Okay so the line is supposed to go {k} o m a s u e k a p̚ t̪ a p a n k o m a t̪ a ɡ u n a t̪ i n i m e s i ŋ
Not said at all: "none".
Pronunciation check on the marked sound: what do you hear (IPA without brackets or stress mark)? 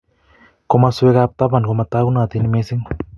k